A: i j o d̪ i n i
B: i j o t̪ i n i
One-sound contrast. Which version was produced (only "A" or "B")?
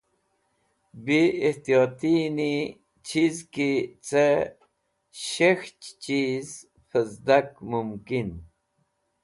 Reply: B